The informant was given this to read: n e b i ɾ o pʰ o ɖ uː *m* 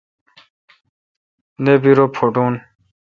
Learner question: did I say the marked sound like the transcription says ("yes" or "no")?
no